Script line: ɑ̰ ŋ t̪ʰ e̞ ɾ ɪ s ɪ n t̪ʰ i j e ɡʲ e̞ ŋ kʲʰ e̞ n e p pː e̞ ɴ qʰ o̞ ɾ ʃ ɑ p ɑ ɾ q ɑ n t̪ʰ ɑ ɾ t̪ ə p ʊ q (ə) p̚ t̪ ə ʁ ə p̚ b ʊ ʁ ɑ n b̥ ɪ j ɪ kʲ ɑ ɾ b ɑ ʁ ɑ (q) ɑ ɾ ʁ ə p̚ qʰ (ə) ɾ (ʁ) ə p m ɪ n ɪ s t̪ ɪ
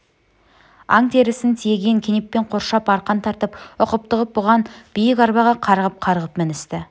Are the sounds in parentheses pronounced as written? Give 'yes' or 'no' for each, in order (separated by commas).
yes, no, no, yes